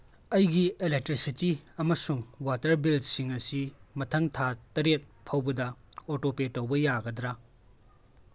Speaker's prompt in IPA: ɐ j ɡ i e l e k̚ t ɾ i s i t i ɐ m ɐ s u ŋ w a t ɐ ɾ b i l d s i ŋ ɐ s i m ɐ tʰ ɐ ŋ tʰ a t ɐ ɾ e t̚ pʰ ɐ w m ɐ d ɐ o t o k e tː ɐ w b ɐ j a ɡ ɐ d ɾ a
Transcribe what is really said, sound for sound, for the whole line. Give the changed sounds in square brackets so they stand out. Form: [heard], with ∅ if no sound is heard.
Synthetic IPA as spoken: ɐ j ɡ i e l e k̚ t ɾ i s i t i ɐ m ɐ s u ŋ w a t ɐ ɾ b i l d s i ŋ ɐ s i m ɐ tʰ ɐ ŋ tʰ a t ɐ ɾ e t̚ pʰ ɐ w [b] ɐ d ɐ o t o [p] e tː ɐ w b ɐ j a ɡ ɐ d ɾ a